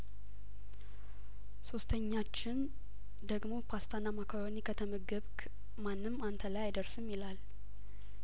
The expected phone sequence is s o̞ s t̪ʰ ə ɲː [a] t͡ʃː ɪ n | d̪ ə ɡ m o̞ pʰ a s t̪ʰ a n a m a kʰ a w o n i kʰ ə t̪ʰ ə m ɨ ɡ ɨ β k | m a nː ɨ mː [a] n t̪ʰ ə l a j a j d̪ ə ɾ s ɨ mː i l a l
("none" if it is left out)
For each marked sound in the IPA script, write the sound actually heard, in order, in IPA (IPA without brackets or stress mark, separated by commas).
a, a